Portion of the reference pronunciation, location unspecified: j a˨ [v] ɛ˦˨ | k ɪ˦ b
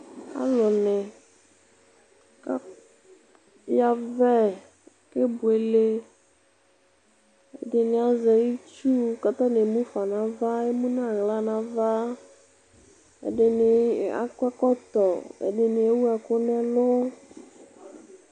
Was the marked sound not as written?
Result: no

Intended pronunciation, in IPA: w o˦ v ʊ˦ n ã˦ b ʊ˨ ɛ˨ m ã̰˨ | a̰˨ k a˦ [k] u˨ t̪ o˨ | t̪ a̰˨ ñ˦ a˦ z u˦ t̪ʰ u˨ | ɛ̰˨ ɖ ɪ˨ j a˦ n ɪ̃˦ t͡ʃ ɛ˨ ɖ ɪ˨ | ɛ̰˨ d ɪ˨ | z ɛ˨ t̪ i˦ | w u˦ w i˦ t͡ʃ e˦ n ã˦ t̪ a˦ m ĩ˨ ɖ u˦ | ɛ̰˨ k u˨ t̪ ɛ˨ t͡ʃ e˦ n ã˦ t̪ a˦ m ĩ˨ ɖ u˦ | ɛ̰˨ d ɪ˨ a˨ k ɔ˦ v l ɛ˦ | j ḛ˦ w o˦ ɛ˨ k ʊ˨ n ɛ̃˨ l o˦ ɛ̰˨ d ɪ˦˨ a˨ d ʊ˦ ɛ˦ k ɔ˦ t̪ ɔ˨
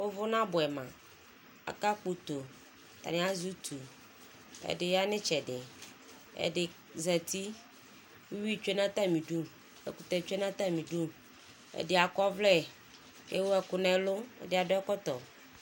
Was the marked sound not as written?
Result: yes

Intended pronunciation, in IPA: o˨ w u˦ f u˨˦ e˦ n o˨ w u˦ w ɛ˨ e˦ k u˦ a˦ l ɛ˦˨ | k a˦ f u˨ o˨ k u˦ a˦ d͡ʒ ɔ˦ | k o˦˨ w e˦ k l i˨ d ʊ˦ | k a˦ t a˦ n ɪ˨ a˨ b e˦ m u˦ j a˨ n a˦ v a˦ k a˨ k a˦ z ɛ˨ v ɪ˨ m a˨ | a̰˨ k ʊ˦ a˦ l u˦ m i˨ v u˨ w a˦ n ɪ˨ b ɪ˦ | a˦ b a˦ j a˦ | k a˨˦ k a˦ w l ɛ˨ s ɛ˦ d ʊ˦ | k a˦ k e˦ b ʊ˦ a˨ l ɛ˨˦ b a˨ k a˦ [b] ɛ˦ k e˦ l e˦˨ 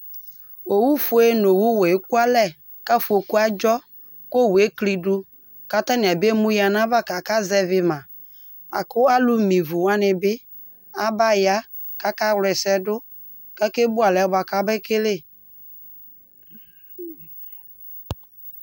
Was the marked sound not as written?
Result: no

